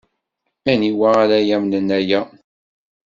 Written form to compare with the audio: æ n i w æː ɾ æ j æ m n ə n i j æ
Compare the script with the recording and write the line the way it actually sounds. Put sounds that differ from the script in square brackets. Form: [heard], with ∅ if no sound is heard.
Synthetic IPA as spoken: æ n i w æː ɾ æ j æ m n ə n [æ] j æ